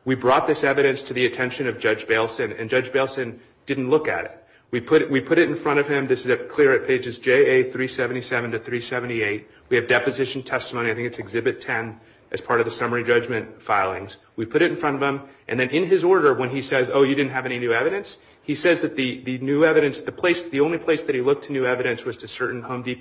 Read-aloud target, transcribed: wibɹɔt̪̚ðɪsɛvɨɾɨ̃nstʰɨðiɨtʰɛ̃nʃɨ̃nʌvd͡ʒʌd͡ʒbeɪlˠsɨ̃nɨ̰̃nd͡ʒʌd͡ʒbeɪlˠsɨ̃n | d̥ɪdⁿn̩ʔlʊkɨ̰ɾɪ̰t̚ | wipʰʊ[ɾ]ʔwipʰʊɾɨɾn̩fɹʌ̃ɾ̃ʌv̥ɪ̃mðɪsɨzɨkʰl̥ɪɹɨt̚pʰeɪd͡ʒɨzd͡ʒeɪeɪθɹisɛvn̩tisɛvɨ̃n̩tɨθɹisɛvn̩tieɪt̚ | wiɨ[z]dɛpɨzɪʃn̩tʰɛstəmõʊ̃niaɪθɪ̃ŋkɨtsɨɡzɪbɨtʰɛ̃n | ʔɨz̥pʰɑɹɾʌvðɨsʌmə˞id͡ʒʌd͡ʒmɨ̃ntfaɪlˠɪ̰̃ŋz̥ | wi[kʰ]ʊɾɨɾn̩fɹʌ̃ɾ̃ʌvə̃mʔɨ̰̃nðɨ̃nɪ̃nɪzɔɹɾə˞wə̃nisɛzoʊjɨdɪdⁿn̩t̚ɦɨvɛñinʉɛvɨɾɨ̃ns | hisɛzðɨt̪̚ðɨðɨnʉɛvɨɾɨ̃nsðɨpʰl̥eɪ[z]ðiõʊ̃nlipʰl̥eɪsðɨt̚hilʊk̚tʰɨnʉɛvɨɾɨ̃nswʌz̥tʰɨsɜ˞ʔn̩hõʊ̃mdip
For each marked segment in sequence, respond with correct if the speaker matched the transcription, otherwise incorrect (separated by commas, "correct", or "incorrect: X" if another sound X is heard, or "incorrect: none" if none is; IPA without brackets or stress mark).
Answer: correct, incorrect: v, incorrect: pʰ, incorrect: s